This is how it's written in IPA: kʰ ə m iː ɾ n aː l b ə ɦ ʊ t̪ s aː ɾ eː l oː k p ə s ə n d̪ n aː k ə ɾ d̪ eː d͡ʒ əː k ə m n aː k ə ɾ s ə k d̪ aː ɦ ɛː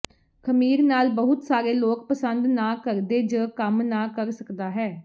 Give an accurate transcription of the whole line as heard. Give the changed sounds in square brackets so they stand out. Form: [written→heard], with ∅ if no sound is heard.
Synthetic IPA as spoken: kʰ ə m iː ɾ n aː l b ə ɦ ʊ t̪ s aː ɾ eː l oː k p ə s ə n d̪ n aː k ə ɾ d̪ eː d͡ʒ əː k ə m n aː k ə ɾ s ə k d̪ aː ɦ ɛː